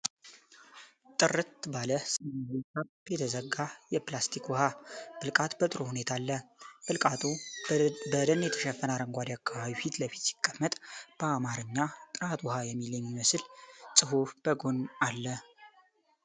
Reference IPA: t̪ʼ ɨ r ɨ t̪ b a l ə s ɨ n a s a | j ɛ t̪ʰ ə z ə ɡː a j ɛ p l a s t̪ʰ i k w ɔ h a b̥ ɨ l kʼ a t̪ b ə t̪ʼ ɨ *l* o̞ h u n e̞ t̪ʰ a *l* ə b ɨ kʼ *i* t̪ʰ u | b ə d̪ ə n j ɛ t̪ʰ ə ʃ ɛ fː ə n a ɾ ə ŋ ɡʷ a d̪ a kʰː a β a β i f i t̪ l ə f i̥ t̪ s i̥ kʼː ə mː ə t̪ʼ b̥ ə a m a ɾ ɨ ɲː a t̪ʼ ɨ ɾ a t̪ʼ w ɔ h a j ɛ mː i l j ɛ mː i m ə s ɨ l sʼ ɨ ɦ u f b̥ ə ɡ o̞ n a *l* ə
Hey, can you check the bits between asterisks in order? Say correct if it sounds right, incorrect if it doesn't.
incorrect, incorrect, incorrect, incorrect

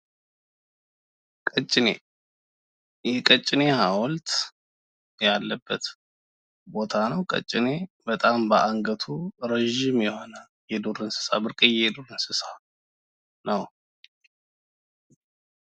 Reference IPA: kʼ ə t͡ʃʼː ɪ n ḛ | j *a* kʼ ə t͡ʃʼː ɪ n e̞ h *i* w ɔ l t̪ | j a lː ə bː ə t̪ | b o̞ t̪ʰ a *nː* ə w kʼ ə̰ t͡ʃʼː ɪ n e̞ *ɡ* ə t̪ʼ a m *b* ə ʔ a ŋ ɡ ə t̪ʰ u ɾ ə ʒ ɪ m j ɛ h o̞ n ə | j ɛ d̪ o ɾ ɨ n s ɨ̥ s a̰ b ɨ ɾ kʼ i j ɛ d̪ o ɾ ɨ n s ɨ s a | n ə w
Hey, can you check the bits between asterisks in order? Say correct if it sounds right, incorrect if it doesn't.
incorrect, incorrect, incorrect, incorrect, correct

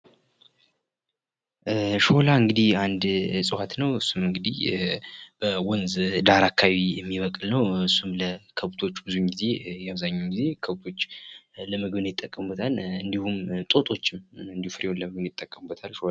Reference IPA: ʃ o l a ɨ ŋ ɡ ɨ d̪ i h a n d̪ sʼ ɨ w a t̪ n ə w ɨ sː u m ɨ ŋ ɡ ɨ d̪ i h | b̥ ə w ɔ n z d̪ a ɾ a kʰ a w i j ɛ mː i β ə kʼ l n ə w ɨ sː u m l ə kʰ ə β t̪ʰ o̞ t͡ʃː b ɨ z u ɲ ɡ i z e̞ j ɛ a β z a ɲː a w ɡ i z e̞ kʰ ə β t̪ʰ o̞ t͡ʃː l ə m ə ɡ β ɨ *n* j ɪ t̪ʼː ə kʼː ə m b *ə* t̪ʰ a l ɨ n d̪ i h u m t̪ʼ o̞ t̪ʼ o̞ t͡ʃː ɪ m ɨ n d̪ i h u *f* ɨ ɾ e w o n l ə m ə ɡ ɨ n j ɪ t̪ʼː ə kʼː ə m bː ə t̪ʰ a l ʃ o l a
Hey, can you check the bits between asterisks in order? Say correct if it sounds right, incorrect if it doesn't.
correct, correct, correct

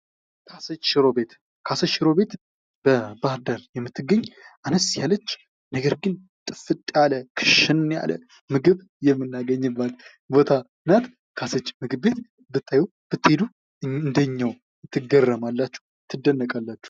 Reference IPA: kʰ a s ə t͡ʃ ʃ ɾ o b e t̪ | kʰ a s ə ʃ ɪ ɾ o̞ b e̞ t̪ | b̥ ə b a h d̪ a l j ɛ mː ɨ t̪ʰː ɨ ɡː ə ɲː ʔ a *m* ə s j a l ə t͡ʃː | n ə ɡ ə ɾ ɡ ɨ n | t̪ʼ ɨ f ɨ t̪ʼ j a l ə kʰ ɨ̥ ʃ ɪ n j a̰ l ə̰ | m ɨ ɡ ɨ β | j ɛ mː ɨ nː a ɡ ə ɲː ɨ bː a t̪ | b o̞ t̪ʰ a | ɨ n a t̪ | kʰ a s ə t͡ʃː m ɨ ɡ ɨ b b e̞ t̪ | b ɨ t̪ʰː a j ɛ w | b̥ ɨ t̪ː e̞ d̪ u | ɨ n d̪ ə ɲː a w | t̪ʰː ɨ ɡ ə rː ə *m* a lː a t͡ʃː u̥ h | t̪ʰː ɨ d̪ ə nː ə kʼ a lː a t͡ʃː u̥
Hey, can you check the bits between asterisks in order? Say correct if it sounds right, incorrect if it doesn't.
incorrect, correct

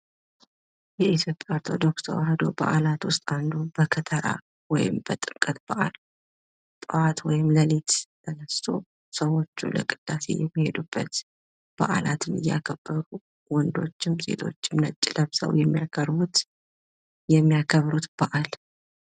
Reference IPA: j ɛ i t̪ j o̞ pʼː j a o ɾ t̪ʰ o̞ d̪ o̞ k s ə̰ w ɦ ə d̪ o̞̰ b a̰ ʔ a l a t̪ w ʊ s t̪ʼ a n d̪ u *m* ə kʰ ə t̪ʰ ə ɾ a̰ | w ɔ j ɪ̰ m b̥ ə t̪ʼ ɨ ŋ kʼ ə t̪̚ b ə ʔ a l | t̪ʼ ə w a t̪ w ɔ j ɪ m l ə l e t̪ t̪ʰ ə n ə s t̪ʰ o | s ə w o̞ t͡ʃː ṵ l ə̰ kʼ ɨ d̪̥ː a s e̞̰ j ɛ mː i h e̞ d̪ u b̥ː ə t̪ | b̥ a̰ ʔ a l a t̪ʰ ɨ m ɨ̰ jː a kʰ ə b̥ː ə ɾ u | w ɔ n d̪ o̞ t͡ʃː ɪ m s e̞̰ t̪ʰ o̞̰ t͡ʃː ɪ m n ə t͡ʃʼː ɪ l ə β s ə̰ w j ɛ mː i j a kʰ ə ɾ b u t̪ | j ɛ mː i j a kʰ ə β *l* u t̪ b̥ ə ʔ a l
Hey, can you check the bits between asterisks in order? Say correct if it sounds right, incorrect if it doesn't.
incorrect, incorrect

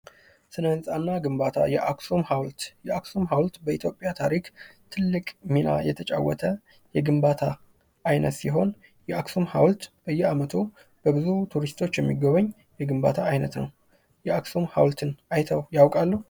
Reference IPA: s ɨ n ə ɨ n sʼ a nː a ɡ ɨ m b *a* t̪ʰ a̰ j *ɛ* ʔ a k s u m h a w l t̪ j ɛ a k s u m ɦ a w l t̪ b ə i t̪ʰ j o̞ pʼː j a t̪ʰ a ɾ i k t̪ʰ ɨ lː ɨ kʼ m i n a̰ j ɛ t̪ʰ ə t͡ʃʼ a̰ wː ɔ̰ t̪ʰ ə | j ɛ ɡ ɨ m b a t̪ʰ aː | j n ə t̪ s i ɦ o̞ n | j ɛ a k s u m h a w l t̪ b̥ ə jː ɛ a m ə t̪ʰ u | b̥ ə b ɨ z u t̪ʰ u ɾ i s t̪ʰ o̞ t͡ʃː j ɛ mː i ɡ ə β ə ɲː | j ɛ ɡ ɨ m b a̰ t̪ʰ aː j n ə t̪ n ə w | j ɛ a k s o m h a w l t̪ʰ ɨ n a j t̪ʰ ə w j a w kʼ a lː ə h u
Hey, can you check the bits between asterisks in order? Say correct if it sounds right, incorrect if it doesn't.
correct, correct

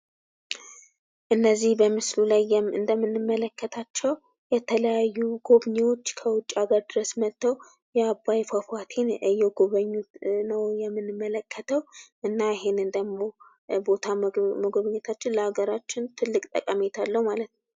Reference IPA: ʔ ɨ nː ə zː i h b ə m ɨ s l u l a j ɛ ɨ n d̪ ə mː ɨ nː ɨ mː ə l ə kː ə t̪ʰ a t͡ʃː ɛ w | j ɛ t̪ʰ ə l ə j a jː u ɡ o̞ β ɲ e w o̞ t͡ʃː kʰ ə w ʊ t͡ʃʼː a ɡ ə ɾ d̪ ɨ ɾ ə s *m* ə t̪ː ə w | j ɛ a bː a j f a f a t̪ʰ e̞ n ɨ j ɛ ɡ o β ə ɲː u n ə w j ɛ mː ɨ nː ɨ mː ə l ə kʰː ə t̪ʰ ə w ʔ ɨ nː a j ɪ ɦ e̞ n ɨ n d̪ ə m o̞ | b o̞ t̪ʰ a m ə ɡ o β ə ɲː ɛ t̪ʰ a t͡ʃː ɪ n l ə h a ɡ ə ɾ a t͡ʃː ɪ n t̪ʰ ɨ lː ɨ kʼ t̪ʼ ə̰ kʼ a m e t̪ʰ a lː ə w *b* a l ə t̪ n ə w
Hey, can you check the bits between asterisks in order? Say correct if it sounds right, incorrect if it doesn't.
correct, incorrect

